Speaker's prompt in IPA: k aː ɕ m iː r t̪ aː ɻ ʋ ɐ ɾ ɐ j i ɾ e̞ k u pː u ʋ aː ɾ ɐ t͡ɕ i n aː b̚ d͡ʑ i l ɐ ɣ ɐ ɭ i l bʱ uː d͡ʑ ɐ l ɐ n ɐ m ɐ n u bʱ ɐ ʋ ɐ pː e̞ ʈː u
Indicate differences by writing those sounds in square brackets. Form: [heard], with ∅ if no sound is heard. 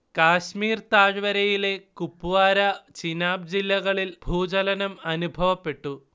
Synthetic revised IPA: k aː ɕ m iː r t̪ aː ɻ ʋ ɐ ɾ ɐ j i [l] e̞ k u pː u ʋ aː ɾ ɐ t͡ɕ i n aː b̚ d͡ʑ i [lː] ɐ ɣ ɐ ɭ i l bʱ uː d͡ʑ ɐ l ɐ n ɐ m ɐ n u bʱ ɐ ʋ ɐ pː e̞ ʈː u